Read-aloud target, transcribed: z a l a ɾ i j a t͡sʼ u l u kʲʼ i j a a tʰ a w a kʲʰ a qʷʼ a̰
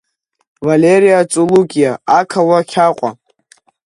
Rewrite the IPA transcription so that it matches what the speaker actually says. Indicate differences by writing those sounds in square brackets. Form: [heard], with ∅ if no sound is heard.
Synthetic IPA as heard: [v] a l [e] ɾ i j a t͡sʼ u l u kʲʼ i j a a [kʰ] a w a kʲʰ a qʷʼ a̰